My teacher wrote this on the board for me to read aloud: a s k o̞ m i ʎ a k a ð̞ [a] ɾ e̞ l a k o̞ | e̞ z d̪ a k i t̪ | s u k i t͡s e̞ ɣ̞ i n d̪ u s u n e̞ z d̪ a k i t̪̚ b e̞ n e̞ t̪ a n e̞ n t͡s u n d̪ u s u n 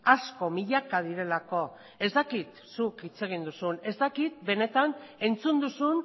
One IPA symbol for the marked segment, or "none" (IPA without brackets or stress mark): i